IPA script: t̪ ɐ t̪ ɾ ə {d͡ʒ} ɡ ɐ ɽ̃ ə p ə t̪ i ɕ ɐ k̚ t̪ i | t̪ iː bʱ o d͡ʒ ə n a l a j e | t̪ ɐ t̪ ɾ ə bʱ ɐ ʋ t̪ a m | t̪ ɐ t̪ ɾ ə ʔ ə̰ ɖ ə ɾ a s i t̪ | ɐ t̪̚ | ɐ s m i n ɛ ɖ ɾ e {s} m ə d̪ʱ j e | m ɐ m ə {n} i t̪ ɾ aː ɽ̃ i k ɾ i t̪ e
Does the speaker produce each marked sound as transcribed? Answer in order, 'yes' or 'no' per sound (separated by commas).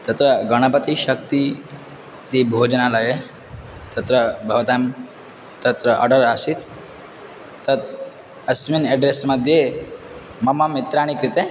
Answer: no, yes, no